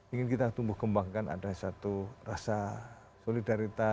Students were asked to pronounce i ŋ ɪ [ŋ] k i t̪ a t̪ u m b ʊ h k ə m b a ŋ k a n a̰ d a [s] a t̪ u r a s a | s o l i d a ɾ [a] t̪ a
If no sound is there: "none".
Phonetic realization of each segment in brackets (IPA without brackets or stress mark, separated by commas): n, s, i